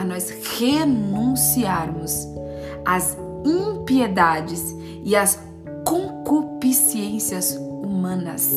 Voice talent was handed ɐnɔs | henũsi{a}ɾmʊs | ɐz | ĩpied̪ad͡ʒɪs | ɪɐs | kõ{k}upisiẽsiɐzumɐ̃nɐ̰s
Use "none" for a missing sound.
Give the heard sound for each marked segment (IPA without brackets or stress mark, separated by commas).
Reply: a, k